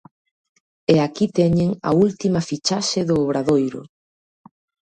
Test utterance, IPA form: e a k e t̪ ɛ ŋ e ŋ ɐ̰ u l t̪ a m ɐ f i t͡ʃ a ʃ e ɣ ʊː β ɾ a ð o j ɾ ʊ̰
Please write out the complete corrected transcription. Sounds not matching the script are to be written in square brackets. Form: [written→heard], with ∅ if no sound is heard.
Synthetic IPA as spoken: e a k [e→i] t̪ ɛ [ŋ→ɲ] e ŋ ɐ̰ u l t̪ [a→i] m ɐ f i t͡ʃ a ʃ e [ɣ→ð] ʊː β ɾ a ð o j ɾ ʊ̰